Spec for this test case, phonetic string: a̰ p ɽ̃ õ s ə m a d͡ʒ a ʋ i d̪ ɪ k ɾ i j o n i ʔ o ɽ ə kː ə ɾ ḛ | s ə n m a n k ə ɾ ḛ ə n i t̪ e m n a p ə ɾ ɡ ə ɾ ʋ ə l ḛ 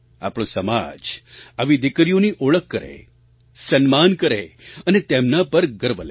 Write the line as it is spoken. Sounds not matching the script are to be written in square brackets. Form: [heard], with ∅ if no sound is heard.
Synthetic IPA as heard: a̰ p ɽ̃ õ s ə m a d͡ʒ a ʋ i d̪ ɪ k ɾ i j o n i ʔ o [ɭ] ə kː ə ɾ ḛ | s ə n m a n k ə ɾ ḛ ə n [e] t̪ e m n a p ə ɾ ɡ ə ɾ ʋ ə l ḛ